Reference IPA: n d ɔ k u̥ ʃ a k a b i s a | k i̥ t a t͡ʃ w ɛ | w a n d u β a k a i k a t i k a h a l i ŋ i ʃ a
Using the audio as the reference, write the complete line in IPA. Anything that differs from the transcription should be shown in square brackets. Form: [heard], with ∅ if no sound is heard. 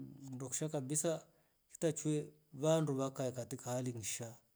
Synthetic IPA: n d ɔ k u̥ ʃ a k a b i s a | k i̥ t a t͡ʃ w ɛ | [β] a n d u β a k a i k a t i k a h a l i ŋ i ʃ a